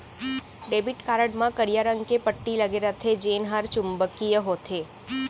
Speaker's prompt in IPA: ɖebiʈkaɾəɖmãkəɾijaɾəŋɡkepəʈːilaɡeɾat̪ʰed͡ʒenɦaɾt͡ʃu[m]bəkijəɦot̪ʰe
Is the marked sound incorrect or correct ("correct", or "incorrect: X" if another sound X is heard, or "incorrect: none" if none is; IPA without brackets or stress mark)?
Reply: correct